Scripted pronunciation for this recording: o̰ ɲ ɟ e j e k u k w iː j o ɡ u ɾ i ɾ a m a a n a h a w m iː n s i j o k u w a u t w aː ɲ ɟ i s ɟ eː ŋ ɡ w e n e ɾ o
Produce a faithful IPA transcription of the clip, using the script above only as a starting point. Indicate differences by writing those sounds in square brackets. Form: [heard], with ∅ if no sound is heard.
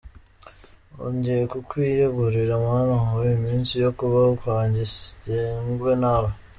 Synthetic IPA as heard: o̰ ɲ ɟ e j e k u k w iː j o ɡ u ɾ i ɾ a m a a n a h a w m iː n s i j o k u [β] a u [k] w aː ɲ ɟ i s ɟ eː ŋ ɡ w e n [a] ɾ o